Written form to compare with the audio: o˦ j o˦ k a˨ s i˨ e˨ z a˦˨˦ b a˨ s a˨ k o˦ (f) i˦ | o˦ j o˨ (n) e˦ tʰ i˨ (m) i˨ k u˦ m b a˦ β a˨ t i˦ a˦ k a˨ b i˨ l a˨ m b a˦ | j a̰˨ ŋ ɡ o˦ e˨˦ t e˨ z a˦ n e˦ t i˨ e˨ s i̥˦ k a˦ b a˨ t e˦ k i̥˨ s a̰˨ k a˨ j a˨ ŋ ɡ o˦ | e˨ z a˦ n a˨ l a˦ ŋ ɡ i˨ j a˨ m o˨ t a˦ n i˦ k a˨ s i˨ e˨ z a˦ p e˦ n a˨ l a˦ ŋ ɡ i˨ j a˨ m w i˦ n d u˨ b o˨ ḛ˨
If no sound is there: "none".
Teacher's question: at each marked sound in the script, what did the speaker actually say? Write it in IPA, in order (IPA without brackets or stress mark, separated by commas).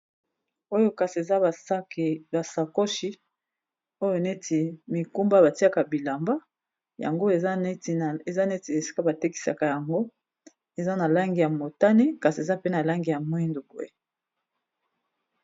ʃ, n, m